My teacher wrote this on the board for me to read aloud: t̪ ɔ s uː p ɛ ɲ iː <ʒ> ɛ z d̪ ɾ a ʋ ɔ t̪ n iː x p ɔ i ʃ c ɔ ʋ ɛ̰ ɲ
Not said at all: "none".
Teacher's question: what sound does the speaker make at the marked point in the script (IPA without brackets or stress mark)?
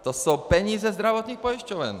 z